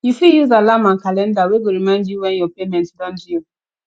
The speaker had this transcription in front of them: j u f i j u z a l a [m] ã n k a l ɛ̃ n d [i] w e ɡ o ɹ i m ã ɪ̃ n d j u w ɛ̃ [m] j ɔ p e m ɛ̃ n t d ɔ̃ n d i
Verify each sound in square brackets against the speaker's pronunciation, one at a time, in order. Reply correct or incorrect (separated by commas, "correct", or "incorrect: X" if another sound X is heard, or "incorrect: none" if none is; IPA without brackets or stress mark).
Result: correct, incorrect: a, incorrect: n